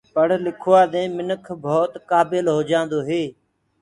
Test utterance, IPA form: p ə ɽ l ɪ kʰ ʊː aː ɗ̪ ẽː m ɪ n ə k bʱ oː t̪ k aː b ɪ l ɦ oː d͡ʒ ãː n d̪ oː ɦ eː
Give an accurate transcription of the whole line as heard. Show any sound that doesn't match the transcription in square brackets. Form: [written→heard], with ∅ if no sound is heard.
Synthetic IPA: p ə ɽ l ɪ kʰ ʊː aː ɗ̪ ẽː m ɪ n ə [k→kʰ] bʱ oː t̪ k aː b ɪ l ɦ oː d͡ʒ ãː n d̪ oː ɦ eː